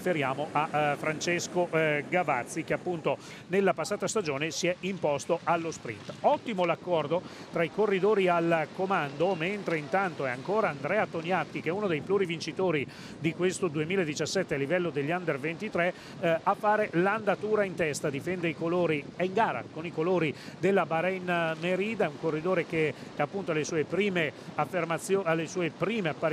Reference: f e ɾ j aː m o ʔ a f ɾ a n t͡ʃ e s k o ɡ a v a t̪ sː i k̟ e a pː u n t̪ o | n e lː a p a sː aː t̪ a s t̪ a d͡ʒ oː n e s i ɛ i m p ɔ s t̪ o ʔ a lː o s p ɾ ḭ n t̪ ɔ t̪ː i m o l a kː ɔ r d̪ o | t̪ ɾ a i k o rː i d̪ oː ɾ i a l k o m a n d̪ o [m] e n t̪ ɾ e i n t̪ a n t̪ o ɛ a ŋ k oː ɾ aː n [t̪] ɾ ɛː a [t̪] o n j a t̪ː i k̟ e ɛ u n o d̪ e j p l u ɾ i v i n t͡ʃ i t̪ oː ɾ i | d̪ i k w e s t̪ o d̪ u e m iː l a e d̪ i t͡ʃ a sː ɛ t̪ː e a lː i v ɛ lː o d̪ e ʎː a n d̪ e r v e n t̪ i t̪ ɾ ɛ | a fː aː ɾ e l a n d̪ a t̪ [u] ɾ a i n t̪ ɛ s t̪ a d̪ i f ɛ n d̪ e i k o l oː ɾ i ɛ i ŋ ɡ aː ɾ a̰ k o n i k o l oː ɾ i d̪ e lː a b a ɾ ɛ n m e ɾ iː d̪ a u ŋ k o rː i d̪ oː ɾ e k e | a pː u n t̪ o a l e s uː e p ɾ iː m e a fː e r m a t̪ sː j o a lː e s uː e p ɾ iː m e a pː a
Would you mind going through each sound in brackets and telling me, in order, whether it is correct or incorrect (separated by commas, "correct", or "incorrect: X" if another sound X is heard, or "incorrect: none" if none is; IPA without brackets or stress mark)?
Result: correct, incorrect: d̪, correct, incorrect: uː